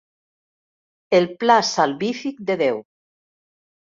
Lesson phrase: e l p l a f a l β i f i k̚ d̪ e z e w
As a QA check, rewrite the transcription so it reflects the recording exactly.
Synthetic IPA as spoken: e l p l a s a l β i f i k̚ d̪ e ð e w